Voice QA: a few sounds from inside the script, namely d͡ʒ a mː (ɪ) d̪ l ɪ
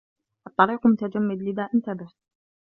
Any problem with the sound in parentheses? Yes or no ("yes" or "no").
no